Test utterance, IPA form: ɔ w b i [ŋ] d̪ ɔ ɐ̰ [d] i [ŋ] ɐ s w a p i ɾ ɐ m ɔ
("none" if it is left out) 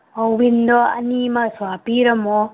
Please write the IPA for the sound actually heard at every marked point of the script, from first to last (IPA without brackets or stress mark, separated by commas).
n, n, m